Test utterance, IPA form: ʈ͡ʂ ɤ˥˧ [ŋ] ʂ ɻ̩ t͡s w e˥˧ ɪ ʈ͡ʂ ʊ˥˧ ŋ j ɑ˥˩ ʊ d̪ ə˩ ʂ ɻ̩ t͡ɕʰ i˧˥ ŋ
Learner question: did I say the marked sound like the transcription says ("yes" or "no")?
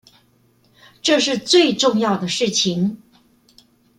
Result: no